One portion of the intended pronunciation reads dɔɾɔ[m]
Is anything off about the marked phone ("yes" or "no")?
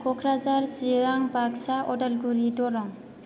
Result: yes